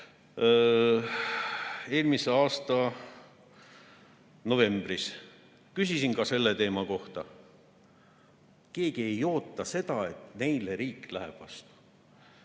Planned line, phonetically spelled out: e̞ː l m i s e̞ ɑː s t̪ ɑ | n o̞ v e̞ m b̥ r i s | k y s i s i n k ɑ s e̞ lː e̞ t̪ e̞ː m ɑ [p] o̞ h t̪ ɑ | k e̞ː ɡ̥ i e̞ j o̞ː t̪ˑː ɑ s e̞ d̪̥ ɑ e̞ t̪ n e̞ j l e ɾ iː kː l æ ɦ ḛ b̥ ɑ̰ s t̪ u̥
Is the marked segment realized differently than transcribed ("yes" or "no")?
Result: yes